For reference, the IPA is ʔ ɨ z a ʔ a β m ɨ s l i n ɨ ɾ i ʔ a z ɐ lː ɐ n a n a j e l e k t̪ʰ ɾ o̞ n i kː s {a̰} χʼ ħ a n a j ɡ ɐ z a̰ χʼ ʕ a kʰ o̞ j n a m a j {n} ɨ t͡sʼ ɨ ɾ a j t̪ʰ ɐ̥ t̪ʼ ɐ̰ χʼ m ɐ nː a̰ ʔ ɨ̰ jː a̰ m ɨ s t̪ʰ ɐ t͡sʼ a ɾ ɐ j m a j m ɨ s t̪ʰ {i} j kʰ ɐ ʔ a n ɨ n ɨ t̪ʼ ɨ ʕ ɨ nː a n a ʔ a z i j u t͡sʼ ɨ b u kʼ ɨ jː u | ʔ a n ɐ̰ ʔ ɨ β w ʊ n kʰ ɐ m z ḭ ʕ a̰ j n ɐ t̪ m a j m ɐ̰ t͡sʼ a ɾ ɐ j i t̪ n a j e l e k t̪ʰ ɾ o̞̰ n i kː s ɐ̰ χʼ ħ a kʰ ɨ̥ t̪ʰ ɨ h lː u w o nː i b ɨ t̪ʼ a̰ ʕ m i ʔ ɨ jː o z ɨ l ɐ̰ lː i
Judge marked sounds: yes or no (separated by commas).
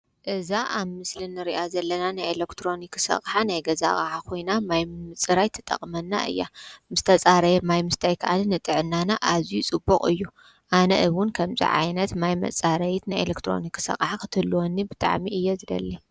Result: no, no, no